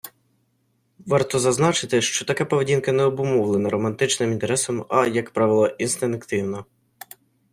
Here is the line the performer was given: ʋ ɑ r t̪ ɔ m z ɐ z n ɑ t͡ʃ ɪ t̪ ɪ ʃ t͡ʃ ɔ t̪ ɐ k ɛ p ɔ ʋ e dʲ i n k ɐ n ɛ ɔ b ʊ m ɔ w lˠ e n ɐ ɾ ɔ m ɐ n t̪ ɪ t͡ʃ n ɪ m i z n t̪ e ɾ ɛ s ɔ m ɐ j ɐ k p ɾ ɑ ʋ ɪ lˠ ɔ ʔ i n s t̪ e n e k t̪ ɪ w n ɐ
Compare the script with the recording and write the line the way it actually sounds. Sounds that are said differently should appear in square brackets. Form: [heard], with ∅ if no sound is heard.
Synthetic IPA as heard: ʋ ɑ r t̪ ɔ [∅] z ɐ z n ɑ t͡ʃ ɪ t̪ ɪ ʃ t͡ʃ ɔ t̪ ɐ k ɛ p ɔ ʋ e dʲ i n k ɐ n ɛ ɔ b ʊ m ɔ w lˠ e n ɐ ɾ ɔ m ɐ n t̪ ɪ t͡ʃ n ɪ m i [∅] n t̪ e ɾ ɛ s ɔ m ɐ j ɐ k p ɾ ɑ ʋ ɪ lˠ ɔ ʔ i n s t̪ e n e k t̪ ɪ w n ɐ

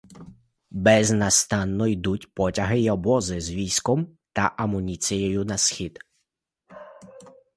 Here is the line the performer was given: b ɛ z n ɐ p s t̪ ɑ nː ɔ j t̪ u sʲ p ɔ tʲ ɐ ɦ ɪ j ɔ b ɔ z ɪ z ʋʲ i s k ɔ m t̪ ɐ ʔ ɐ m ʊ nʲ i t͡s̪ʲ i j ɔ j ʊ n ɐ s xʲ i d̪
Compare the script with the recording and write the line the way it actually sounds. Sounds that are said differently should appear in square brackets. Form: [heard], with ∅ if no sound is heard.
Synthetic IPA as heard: b ɛ z n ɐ [∅] s t̪ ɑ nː ɔ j [d̪] u [tʲ] p ɔ tʲ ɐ ɦ ɪ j ɔ b ɔ z ɪ z ʋʲ i s k ɔ m t̪ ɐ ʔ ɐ m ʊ nʲ i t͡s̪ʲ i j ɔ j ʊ n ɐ s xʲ i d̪

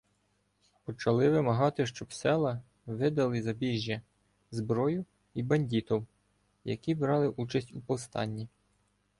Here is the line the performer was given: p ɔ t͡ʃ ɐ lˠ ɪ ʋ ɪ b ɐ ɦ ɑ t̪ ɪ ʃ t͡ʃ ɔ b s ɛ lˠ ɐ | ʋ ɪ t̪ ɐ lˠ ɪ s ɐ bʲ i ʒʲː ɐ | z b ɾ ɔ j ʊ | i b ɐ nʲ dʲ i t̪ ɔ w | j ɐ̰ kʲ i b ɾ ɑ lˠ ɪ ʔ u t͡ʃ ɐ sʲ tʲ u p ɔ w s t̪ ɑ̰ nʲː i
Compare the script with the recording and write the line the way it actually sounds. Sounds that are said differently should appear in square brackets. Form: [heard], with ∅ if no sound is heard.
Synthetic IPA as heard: p ɔ t͡ʃ ɐ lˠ ɪ ʋ ɪ [m] ɐ ɦ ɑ t̪ ɪ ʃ t͡ʃ ɔ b s ɛ lˠ ɐ | ʋ ɪ [d̪] ɐ lˠ ɪ [z] ɐ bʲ i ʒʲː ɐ | z b ɾ ɔ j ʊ | i b ɐ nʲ dʲ i t̪ ɔ w | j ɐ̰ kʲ i b ɾ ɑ lˠ ɪ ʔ u t͡ʃ ɐ sʲ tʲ u p ɔ w s t̪ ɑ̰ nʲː i

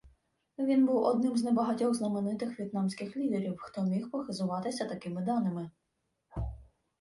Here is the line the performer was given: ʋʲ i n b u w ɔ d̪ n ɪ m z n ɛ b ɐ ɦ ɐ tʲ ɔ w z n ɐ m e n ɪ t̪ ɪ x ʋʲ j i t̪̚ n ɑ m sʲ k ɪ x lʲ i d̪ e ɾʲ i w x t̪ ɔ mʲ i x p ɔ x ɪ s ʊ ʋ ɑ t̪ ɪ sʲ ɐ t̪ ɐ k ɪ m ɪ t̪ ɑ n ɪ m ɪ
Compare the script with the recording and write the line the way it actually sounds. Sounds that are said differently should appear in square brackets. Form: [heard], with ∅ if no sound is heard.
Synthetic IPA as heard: ʋʲ i n b u w ɔ d̪ n ɪ m z n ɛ b ɐ ɦ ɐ tʲ ɔ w z n ɐ m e n ɪ t̪ ɪ x ʋʲ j i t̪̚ n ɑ m sʲ k ɪ x lʲ i d̪ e ɾʲ i w x t̪ ɔ mʲ i x p ɔ x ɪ [z] ʊ ʋ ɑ t̪ ɪ sʲ ɐ t̪ ɐ k ɪ m ɪ [d̪] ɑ n ɪ m ɪ

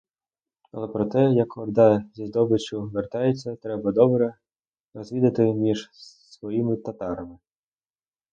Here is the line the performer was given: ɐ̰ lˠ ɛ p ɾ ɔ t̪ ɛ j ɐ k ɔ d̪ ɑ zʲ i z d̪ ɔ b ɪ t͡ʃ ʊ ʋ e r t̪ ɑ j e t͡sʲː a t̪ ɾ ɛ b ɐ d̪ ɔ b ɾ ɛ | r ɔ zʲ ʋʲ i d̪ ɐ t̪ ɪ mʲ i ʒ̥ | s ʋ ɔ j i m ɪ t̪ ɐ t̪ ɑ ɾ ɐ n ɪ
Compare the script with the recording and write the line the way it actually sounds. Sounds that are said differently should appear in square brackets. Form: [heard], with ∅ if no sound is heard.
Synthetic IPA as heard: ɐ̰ lˠ ɛ p ɾ ɔ t̪ ɛ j ɐ k ɔ d̪ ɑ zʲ i z d̪ ɔ b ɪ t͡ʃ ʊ ʋ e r t̪ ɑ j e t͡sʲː [ɐ] t̪ ɾ ɛ b ɐ d̪ ɔ b ɾ ɛ | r ɔ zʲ ʋʲ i d̪ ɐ t̪ ɪ mʲ i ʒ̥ | s ʋ ɔ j i m ɪ t̪ ɐ t̪ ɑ ɾ ɐ [m] ɪ

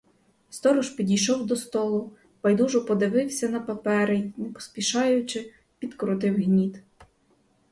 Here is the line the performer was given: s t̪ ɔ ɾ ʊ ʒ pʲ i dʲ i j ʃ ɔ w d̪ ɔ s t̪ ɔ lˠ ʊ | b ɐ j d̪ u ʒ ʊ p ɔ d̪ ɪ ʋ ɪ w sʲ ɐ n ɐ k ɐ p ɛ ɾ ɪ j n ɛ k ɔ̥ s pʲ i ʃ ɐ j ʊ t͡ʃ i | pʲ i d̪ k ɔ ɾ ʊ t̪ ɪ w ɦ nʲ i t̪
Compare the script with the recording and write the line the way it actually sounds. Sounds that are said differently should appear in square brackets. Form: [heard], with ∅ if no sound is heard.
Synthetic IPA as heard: s t̪ ɔ ɾ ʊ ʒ pʲ i dʲ i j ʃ ɔ w d̪ ɔ s t̪ ɔ lˠ ʊ | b ɐ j d̪ u ʒ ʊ p ɔ d̪ ɪ ʋ ɪ w sʲ ɐ n ɐ [p] ɐ p ɛ ɾ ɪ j n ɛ [p] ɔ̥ s pʲ i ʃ [ɑ] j ʊ t͡ʃ [ɪ] | pʲ i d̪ k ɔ ɾ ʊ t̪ ɪ w ɦ nʲ i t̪

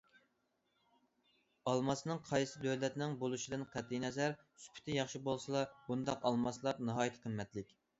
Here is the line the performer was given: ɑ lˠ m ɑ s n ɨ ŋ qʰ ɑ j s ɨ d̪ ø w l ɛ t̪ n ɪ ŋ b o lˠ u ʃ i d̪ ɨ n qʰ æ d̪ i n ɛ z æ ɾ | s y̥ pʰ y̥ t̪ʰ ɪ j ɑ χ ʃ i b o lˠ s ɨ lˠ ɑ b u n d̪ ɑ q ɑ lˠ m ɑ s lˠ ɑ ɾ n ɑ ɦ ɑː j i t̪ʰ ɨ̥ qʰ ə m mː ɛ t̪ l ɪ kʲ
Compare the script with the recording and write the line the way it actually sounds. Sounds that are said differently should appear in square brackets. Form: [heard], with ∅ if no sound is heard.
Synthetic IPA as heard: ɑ lˠ m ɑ s n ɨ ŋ qʰ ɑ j s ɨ d̪ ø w l ɛ t̪ n ɪ ŋ b o lˠ u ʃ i d̪ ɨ n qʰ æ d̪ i n ɛ z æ ɾ | s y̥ pʰ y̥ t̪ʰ ɪ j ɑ χ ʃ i b o lˠ s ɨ lˠ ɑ b u n d̪ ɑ q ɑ lˠ m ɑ s lˠ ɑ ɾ n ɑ ɦ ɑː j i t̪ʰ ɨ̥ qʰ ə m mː ɛ t̪ l ɪ kʲ

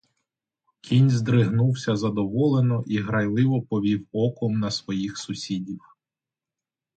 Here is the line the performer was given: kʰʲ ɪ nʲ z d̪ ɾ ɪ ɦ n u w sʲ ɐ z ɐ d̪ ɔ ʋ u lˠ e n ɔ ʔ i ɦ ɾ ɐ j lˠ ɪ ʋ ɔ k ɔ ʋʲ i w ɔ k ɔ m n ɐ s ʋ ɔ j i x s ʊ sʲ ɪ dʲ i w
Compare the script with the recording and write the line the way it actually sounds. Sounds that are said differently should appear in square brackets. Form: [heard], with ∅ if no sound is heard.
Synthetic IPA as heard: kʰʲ [i] nʲ z d̪ ɾ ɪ ɦ n u w sʲ ɐ z ɐ d̪ ɔ ʋ [ɔ] lˠ e n ɔ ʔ i ɦ ɾ ɐ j lˠ ɪ ʋ ɔ [p] ɔ ʋʲ i w ɔ k ɔ m n ɐ s ʋ ɔ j i x s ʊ sʲ [i] dʲ i w

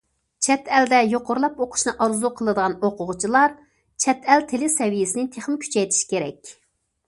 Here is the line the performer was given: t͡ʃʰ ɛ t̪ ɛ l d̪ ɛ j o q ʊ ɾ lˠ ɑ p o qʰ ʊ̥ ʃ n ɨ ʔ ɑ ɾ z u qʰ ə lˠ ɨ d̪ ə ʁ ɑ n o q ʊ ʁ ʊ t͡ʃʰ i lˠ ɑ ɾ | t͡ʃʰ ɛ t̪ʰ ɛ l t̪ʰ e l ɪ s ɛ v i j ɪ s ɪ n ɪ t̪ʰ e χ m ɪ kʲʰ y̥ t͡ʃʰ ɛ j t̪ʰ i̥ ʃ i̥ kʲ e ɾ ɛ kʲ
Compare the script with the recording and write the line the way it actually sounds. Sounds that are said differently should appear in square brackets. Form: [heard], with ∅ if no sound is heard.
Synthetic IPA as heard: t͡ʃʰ ɛ t̪ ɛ l d̪ ɛ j o q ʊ ɾ lˠ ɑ p o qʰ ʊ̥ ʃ n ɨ ʔ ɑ ɾ z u qʰ ə lˠ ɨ d̪ ə ʁ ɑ n o q ʊ ʁ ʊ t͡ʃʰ i lˠ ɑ ɾ | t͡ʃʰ ɛ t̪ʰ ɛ l t̪ʰ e l ɪ s ɛ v i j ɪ s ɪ n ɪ t̪ʰ e χ m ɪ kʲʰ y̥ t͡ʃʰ ɛ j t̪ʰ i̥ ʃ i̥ kʲ e ɾ ɛ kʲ

